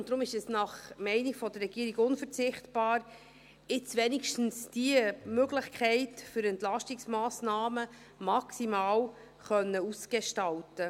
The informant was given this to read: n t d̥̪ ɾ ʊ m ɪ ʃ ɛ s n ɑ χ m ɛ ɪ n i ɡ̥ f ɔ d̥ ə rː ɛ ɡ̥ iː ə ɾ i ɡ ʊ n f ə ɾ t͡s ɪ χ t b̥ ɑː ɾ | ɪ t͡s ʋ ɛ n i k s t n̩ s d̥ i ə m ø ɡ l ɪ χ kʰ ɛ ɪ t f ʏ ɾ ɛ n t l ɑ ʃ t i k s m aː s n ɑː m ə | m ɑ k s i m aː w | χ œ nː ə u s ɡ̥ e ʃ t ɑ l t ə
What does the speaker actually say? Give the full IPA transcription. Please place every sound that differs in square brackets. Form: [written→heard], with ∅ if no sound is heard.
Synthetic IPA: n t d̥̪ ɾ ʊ m ɪ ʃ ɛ s n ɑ χ m ɛ ɪ n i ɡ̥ f ɔ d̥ ə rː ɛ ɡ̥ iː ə ɾ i ɡ ʊ n f ə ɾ t͡s ɪ χ t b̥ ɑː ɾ | ɪ t͡s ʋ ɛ n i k [s→ʃ] t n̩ s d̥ i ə m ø ɡ l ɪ χ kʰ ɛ ɪ t f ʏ ɾ ɛ n t l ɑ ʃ t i k s m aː s n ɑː m ə | m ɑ k s i m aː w | χ œ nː ə u s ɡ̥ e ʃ t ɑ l t ə